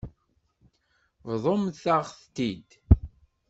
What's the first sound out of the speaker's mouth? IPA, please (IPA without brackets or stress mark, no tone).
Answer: v